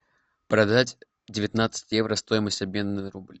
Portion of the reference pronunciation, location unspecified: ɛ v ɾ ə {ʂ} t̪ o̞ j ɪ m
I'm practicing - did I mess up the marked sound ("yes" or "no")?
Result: yes